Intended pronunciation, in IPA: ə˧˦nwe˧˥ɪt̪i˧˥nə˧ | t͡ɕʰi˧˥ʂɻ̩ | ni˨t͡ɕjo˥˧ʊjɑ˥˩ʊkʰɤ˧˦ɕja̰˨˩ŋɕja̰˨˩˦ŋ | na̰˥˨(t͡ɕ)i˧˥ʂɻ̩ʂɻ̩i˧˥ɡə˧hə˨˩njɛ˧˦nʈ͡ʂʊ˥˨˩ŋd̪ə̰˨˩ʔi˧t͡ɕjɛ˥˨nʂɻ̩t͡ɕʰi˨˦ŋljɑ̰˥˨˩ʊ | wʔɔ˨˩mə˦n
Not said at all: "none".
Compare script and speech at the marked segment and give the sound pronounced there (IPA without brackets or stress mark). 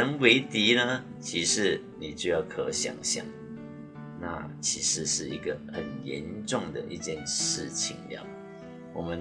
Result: t͡ɕʰ